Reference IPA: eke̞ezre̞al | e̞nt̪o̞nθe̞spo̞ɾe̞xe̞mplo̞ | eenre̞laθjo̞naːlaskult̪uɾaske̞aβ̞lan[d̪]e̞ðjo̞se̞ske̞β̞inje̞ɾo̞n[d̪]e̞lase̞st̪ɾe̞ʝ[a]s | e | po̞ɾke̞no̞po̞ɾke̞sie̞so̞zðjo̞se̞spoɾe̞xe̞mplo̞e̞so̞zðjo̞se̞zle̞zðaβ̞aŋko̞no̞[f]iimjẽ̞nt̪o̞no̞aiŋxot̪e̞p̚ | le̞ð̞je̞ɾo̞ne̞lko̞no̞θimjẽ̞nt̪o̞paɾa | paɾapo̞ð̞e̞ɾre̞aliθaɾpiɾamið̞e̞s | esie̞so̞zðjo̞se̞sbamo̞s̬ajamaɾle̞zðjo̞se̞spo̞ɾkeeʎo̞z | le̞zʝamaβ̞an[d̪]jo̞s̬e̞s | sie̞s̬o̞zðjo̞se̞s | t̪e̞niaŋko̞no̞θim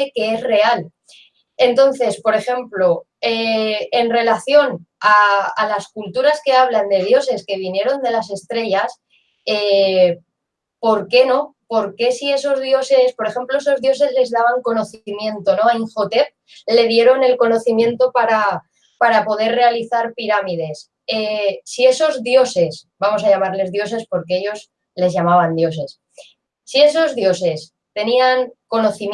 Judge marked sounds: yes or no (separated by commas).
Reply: yes, yes, yes, no, yes